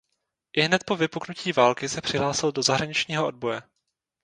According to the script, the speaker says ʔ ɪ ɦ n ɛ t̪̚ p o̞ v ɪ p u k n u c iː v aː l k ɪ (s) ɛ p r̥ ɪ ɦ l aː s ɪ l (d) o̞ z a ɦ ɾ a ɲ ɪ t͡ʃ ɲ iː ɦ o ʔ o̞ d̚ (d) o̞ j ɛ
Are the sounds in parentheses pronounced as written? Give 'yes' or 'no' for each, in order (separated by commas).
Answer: yes, yes, no